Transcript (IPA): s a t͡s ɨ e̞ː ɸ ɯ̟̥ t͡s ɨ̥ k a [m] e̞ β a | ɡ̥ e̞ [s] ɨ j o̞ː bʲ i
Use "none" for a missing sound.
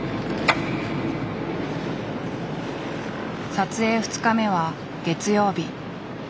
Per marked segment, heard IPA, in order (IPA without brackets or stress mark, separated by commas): m, t͡s